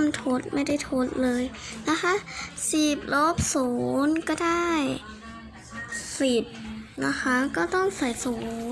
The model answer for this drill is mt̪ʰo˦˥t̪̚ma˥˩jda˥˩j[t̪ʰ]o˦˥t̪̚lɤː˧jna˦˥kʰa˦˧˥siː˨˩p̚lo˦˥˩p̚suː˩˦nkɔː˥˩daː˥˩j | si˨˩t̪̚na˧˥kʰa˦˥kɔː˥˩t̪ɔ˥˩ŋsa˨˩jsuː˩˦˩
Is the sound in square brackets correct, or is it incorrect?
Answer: correct